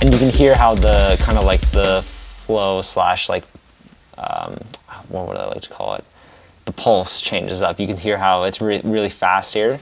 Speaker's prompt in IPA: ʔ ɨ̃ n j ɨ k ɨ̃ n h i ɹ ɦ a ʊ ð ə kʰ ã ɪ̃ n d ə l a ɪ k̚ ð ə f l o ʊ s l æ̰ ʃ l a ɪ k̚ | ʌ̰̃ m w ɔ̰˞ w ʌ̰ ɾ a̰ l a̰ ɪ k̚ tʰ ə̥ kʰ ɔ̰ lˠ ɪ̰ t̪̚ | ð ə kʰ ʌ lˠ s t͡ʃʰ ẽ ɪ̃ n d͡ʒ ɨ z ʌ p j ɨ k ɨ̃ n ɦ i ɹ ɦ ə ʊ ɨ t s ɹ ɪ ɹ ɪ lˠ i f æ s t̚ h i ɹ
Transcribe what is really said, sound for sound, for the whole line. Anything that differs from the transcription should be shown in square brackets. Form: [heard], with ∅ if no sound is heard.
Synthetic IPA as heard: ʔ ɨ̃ n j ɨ k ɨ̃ n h i ɹ ɦ a ʊ ð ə kʰ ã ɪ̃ n d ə l a ɪ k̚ ð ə f l o ʊ s l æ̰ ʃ l a ɪ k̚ | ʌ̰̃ m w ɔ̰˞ w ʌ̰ ɾ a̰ l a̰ ɪ k̚ tʰ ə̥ kʰ ɔ̰ lˠ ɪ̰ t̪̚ | ð ə [pʰ] ʌ lˠ s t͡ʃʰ ẽ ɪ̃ n d͡ʒ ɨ z ʌ p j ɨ k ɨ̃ n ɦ i ɹ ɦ [a] ʊ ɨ t s ɹ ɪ ɹ ɪ lˠ i f æ s t̚ h i ɹ